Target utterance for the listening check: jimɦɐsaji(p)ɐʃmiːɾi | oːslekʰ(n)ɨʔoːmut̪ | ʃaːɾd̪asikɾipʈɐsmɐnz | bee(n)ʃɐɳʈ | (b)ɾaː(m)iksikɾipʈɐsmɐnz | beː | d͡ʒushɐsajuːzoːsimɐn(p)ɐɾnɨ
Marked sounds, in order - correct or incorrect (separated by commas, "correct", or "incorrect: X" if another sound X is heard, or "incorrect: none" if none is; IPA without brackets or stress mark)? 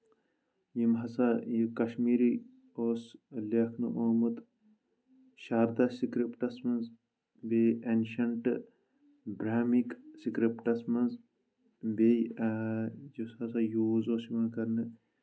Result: incorrect: k, correct, correct, correct, correct, incorrect: k